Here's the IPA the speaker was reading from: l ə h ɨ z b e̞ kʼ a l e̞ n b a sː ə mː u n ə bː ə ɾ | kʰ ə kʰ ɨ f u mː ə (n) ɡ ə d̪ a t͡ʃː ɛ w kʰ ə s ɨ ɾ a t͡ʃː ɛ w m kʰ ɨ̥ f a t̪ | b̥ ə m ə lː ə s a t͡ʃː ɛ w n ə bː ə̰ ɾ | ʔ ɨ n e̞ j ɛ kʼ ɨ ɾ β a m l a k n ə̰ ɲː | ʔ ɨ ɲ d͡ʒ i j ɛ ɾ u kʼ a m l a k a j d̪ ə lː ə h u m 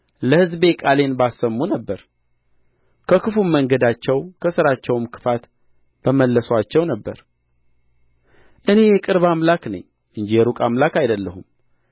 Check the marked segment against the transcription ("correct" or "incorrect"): incorrect